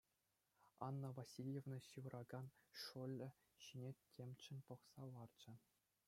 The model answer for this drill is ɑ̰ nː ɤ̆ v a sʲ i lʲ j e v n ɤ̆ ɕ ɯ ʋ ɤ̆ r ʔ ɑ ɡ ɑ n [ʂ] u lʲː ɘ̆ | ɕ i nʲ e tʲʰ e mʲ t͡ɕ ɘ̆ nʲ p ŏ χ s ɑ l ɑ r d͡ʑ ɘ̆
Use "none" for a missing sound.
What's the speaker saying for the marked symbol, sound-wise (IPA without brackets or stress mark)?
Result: ʂ